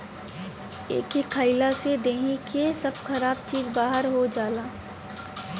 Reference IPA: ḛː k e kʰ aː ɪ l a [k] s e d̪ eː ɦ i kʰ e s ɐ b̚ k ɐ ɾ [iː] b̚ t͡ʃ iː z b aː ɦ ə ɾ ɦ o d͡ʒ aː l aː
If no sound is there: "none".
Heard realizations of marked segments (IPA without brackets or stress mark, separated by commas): none, aː